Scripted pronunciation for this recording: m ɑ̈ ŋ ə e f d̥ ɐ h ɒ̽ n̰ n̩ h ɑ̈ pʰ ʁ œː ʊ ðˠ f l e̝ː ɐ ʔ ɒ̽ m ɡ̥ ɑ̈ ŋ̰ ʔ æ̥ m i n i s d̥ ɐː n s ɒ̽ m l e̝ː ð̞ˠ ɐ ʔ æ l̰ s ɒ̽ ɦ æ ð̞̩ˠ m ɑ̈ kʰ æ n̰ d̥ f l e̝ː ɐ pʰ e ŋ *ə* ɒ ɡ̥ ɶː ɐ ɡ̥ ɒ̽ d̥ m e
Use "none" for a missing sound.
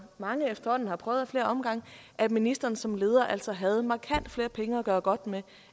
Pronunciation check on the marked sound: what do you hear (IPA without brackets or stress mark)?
ə